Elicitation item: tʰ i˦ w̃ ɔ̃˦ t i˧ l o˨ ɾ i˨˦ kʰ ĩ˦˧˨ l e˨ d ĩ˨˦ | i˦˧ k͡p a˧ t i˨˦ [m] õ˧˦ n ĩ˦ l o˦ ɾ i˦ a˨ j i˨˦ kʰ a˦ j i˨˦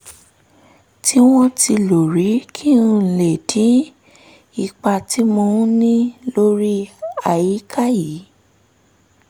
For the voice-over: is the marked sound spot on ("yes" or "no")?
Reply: yes